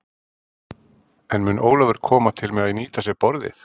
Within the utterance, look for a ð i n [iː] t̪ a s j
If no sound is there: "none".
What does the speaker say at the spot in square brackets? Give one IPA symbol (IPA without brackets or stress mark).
iː